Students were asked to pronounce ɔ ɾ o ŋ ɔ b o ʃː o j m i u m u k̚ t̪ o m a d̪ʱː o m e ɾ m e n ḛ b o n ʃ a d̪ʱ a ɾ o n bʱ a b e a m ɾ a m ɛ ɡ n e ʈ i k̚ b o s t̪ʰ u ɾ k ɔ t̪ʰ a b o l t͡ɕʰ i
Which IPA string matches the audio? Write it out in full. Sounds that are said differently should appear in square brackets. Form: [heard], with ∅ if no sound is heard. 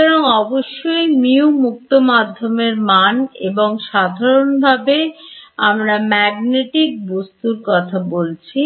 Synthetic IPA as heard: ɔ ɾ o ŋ ɔ b o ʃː o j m i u m u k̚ t̪ o m a d̪ʱː o m e ɾ m [a] n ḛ b o [ŋ] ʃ a d̪ʱ a ɾ o n bʱ a b e a m ɾ a m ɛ ɡ n e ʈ i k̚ b o s [t̪] u ɾ k ɔ t̪ʰ a b o l t͡ɕʰ i